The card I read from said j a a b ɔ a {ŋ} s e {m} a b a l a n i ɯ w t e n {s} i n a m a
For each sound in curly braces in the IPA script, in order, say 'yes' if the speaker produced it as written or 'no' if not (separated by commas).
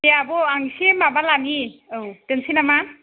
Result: yes, yes, yes